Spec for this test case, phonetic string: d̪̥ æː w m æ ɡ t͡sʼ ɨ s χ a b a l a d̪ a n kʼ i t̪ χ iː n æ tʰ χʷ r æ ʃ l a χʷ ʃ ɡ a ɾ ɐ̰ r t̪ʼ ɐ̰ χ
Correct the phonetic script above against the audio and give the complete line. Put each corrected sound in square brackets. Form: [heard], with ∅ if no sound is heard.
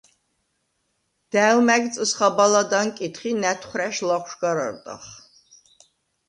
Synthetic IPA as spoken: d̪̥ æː w m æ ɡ t͡sʼ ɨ s χ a b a l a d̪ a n kʼ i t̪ χ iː n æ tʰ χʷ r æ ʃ l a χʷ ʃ ɡ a ɾ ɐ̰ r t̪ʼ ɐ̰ χ